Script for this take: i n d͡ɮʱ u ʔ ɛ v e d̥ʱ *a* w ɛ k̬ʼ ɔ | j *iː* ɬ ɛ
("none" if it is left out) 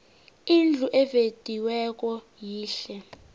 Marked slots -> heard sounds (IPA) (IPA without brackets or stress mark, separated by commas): i, iː